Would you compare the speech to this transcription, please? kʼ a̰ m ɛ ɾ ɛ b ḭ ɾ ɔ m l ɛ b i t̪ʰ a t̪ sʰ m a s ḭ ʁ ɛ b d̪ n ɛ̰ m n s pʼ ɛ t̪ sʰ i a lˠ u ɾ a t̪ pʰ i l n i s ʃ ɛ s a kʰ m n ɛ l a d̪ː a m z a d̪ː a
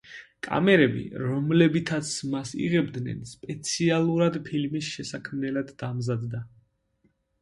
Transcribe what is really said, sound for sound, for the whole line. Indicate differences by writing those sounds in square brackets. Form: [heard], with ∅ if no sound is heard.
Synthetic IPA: kʼ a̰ m ɛ ɾ ɛ b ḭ ɾ ɔ m l ɛ b i t̪ʰ a t̪ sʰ m a s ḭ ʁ ɛ b d̪ n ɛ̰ [∅] n s pʼ ɛ t̪ sʰ i a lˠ u ɾ a [d̪] pʰ i l [m] i s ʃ ɛ s a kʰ m n ɛ l a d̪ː a m z a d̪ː a